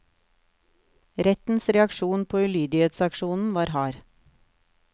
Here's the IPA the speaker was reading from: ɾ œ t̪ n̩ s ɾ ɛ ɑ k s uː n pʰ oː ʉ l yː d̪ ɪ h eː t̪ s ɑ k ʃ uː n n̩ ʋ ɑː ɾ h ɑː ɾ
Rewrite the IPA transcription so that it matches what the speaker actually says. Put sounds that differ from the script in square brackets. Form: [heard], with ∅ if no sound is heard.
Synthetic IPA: ɾ [ɛ] t̪ n̩ s ɾ ɛ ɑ k [ʃ] uː n pʰ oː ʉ l yː d̪ ɪ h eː t̪ s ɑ k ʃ uː n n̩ ʋ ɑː ɾ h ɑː ɾ

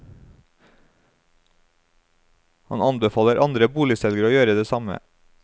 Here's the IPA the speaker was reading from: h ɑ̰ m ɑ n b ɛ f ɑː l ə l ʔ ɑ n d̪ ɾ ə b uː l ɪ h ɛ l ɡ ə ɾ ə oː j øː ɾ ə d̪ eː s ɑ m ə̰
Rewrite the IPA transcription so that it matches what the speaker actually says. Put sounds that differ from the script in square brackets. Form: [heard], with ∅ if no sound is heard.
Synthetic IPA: h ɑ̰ [n] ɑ n b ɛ f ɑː l ə [ɾ] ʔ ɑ n d̪ ɾ ə b uː l ɪ [s] ɛ l ɡ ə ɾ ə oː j øː ɾ ə d̪ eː s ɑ m ə̰

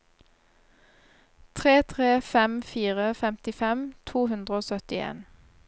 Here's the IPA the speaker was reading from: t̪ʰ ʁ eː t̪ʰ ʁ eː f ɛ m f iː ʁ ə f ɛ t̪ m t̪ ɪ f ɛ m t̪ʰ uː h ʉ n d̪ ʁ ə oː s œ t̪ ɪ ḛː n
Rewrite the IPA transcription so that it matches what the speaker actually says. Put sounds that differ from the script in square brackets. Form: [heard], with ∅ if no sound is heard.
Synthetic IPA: t̪ʰ ʁ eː t̪ʰ ʁ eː f ɛ m f iː ʁ ə f ɛ [∅] m t̪ ɪ f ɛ m t̪ʰ uː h ʉ n d̪ ʁ ə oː s œ t̪ ɪ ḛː n

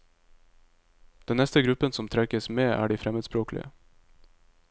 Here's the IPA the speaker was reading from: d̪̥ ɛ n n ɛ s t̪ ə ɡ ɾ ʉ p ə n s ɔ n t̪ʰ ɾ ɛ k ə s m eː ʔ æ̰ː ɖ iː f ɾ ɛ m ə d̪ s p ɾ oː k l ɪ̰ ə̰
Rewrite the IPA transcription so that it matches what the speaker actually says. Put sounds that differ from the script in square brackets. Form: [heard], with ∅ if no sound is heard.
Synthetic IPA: d̪̥ ɛ n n ɛ s t̪ ə ɡ ɾ ʉ p ə n s ɔ [m] t̪ʰ ɾ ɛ k ə s m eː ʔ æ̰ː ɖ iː f ɾ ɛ m ə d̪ s p ɾ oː k l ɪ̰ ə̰

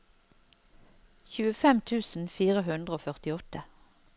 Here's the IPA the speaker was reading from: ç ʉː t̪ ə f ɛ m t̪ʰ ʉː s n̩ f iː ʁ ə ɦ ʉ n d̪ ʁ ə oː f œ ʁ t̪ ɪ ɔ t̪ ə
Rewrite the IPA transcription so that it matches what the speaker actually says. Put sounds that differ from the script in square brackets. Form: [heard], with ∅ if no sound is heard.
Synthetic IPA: ç ʉː [∅] ə f ɛ m t̪ʰ ʉː s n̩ f iː ʁ ə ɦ ʉ n d̪ ʁ ə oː f œ ʁ t̪ ɪ ɔ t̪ ə

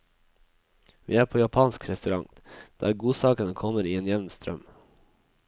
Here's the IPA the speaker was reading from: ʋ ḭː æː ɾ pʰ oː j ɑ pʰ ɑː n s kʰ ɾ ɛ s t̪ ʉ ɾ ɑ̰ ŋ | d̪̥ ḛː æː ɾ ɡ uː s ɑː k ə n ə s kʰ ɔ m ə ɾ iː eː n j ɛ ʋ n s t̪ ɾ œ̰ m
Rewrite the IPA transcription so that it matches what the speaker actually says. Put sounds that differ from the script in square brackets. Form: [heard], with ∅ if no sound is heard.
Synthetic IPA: ʋ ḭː æː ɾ pʰ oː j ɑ pʰ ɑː n s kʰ ɾ ɛ s t̪ ʉ ɾ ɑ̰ ŋ | d̪̥ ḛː æː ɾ ɡ uː s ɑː k ə n ə [∅] kʰ ɔ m ə ɾ iː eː n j ɛ ʋ n s t̪ ɾ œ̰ m

